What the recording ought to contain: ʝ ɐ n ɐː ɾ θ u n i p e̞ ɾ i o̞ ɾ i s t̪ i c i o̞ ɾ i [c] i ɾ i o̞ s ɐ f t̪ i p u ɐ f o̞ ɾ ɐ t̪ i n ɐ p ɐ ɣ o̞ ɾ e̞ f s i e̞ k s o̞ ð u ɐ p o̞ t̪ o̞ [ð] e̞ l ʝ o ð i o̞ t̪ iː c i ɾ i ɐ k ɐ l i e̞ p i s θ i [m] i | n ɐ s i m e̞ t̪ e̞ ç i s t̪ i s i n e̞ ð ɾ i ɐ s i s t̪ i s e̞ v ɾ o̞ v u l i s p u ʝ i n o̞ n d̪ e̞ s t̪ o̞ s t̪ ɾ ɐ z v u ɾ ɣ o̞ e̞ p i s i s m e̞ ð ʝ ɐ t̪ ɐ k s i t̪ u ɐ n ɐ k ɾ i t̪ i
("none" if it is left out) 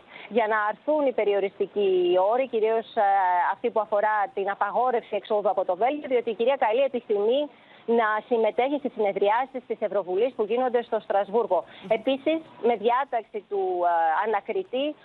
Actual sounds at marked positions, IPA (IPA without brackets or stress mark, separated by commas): c, v, m